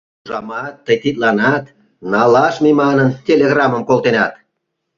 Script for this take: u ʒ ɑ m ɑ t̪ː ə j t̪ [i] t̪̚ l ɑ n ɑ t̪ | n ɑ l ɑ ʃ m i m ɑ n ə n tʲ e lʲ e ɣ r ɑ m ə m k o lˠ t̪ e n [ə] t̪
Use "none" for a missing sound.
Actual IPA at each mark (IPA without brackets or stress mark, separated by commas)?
i, ɑ